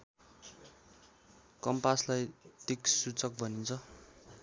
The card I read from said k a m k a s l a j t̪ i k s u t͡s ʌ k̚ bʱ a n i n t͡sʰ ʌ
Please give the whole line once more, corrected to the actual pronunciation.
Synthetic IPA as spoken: k ʌ m p a s l a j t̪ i k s u t͡s ʌ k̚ bʱ ʌ n i n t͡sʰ ʌ